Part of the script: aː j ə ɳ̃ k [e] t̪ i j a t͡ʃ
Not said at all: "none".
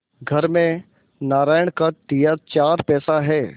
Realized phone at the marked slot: a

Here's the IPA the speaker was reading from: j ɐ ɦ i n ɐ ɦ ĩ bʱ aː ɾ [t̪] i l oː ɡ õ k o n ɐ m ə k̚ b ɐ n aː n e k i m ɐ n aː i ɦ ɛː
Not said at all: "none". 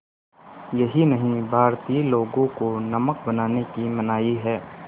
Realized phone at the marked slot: t̪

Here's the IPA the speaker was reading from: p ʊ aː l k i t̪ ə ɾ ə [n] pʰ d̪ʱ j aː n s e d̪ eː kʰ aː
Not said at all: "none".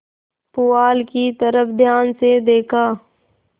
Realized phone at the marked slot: none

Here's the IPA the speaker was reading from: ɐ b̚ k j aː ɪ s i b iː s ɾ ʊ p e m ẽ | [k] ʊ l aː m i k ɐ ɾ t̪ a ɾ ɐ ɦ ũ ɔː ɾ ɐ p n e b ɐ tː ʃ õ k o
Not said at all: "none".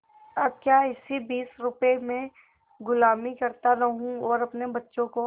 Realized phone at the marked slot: ɡ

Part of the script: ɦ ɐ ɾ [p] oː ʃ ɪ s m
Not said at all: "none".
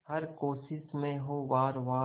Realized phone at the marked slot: k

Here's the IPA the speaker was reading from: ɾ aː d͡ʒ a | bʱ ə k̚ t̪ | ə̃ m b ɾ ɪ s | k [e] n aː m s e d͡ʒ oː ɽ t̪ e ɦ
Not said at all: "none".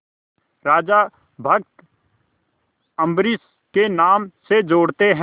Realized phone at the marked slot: e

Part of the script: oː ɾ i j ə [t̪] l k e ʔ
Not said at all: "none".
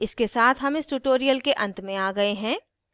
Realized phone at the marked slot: none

